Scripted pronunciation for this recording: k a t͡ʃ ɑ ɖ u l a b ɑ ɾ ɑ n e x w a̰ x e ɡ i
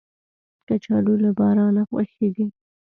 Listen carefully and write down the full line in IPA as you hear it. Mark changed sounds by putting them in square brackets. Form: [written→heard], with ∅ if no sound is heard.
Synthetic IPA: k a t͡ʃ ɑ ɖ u l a b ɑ ɾ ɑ n [e→a] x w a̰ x e ɡ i